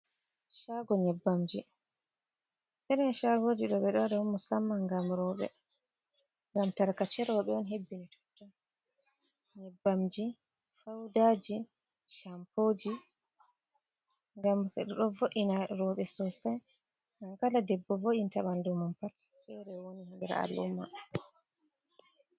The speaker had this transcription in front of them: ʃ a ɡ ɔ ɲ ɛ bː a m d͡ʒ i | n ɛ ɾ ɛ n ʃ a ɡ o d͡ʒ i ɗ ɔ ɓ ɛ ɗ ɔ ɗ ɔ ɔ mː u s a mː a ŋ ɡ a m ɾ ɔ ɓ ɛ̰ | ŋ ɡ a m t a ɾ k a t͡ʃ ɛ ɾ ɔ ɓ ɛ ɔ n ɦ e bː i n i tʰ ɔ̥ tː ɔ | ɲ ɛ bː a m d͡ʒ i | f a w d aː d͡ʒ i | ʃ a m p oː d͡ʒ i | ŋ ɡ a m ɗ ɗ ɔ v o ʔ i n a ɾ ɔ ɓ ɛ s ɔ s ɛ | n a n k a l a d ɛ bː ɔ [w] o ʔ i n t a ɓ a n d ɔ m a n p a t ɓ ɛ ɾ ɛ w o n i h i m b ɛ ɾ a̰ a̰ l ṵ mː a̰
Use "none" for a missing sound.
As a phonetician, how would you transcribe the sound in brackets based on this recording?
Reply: v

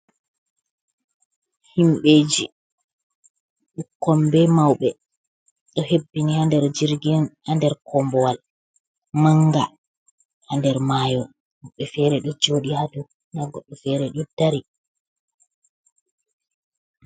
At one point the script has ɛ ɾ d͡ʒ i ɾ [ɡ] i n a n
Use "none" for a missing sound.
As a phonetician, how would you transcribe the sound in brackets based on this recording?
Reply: ɡ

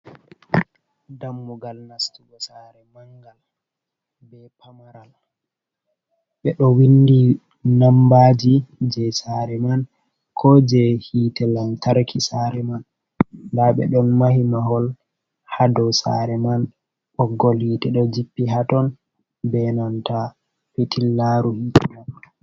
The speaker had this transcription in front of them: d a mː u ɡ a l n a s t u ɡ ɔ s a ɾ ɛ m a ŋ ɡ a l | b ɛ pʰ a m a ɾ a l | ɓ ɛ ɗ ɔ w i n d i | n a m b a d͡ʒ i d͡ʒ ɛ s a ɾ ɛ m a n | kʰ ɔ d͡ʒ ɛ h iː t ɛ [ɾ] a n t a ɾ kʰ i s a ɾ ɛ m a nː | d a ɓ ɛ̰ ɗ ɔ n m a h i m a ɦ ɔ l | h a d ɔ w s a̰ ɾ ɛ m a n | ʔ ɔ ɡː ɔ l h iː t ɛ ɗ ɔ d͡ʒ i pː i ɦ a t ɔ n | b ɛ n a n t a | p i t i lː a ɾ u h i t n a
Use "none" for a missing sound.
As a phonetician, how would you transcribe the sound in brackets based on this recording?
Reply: l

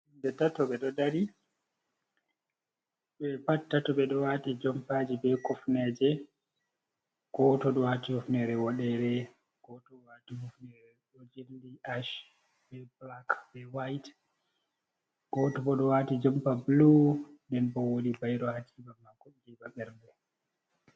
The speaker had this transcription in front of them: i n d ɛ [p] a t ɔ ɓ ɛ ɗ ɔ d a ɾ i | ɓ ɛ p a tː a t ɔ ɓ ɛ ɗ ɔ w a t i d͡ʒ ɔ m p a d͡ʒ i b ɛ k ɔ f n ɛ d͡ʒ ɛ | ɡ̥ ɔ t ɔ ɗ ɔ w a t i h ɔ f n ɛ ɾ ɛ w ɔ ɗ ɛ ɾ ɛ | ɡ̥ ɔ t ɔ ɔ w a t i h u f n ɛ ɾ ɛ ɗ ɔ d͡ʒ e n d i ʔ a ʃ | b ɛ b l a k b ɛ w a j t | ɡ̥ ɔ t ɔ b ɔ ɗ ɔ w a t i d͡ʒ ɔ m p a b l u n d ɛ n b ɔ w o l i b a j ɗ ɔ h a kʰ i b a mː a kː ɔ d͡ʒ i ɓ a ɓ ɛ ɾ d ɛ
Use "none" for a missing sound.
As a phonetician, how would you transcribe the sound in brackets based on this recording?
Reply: t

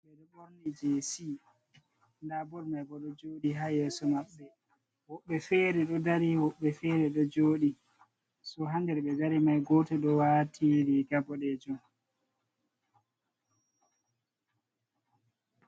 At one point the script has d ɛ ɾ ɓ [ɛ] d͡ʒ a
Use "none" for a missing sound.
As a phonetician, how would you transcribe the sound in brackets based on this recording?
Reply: ɛ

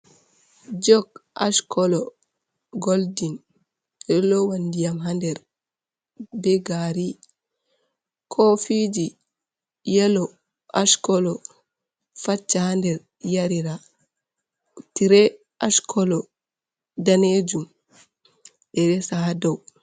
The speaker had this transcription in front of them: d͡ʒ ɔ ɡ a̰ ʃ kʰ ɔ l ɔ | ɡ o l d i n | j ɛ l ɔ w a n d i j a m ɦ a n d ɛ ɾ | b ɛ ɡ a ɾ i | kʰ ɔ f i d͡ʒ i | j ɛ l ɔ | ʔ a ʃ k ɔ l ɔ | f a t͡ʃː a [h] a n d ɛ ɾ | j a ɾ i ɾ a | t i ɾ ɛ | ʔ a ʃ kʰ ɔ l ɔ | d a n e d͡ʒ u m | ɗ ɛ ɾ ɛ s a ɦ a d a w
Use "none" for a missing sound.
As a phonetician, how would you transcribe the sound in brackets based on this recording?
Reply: h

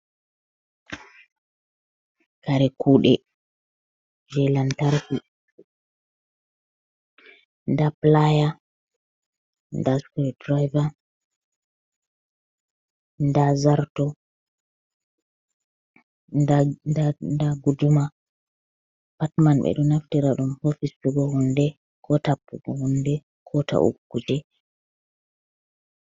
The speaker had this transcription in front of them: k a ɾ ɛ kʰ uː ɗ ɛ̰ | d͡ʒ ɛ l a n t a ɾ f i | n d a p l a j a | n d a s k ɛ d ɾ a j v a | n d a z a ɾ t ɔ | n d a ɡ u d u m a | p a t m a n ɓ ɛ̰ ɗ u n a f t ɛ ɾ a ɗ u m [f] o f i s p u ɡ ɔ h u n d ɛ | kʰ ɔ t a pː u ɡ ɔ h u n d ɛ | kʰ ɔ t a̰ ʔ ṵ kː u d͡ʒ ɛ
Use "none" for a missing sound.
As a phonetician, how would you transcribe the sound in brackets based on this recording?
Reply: h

